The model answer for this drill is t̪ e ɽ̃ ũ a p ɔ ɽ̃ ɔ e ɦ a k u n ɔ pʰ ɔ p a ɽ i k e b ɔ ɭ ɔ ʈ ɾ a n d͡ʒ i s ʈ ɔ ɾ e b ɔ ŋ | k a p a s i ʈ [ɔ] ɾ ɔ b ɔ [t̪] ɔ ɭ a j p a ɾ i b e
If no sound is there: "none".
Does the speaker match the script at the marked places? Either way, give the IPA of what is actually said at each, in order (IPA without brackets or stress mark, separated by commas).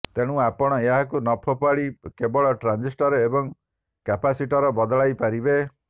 ɔ, d̪